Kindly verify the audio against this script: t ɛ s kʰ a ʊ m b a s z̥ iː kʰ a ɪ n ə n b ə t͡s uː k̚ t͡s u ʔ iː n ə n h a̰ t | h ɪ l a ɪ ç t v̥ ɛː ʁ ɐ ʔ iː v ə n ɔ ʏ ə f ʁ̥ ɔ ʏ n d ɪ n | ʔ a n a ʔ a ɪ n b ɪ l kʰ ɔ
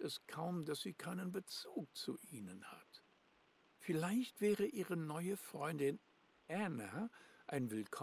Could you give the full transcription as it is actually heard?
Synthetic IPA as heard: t ɛ s kʰ a ʊ m d a s z̥ iː kʰ a ɪ n ə n b ə t͡s uː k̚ t͡s u ʔ iː n ə n h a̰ t | f ɪ l a ɪ ç t v̥ ɛː ʁ ə ʔ iː ʁ ə n ɔ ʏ ə f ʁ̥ ɔ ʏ n d ɪ n | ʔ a n a ʔ a ɪ n v ɪ l kʰ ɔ